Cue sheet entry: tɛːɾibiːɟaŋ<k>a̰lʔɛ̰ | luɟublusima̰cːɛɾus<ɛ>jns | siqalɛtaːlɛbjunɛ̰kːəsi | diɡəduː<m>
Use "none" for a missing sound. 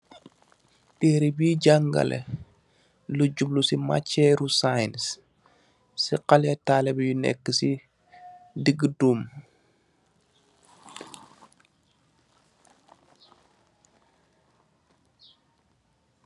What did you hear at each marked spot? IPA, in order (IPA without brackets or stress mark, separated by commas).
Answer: ɡ, a, m